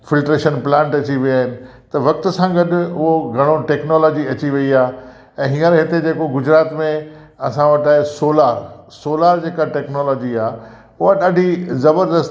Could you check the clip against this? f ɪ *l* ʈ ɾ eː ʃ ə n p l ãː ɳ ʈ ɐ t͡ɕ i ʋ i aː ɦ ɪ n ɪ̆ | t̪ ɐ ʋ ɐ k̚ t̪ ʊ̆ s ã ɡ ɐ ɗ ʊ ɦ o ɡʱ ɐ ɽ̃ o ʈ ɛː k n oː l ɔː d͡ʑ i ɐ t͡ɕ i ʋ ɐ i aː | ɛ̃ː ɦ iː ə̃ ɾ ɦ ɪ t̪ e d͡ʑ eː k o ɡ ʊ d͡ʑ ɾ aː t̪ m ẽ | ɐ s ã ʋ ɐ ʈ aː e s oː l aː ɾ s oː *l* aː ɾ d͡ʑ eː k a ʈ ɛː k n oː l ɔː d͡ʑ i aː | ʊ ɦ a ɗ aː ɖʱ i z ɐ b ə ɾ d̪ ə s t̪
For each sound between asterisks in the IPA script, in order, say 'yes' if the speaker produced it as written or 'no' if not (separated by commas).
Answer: yes, yes